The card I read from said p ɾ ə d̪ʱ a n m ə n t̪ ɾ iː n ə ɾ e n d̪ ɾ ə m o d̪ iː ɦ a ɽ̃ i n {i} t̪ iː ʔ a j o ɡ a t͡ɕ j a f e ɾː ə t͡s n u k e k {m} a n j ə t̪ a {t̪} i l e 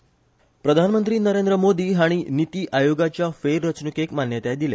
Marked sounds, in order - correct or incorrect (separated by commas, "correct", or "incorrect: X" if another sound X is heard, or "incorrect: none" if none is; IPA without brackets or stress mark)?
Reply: correct, correct, incorrect: d̪